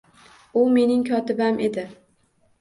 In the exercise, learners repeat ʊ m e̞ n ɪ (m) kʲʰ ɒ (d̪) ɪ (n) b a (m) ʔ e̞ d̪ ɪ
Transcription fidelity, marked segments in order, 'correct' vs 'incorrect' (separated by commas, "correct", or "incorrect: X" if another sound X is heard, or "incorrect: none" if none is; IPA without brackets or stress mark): incorrect: ŋ, incorrect: t̪, incorrect: none, correct